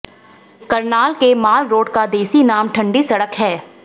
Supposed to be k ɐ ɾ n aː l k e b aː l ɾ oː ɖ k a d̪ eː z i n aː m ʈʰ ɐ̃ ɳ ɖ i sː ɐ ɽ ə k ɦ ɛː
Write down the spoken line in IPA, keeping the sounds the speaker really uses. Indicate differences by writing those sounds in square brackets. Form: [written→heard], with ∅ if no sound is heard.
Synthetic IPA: k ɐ ɾ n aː l k e [b→m] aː l ɾ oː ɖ k a d̪ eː [z→s] i n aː m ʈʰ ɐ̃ ɳ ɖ i [sː→s] ɐ ɽ ə k ɦ ɛː